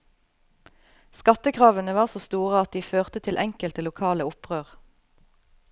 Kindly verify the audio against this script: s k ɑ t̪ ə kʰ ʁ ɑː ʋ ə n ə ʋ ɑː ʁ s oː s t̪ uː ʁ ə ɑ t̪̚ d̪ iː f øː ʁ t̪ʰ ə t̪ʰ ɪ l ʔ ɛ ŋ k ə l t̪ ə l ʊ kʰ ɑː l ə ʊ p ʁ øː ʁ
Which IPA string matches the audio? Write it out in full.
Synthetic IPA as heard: s k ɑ t̪ ə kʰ ʁ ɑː ʋ ə n ə ʋ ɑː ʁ s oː s t̪ uː ʁ ə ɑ t̪̚ d̪ iː f øː ʁ t̪ ə t̪ʰ ɪ l ʔ ɛ ŋ k ə l t̪ ə l ʊ kʰ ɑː l ə ʊ p ʁ øː ʁ